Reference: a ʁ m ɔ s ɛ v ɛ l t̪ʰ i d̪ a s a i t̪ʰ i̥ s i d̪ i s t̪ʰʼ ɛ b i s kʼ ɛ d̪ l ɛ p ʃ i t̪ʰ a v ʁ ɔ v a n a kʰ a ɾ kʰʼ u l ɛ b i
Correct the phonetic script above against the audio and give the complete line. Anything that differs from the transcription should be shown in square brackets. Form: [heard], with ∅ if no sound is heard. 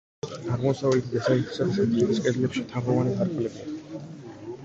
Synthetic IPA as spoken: a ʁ m ɔ s [a] v ɛ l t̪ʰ i d̪ a s a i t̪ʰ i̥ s [a] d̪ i s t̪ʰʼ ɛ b i s kʼ ɛ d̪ l ɛ p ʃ i t̪ʰ a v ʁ ɔ v a n [i] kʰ a ɾ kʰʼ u l ɛ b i